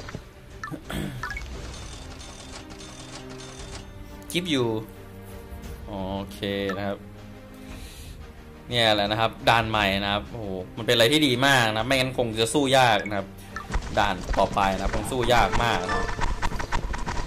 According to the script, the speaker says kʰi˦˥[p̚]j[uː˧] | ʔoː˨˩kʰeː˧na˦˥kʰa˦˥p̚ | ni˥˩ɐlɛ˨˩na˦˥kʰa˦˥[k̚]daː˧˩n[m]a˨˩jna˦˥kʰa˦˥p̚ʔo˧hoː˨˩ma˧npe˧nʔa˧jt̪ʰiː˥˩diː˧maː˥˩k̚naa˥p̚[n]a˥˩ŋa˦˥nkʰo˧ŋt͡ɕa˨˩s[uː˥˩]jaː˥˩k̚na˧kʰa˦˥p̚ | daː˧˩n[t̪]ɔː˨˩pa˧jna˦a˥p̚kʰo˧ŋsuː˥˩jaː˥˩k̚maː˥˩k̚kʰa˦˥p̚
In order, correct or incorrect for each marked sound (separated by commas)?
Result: correct, incorrect, incorrect, correct, incorrect, correct, correct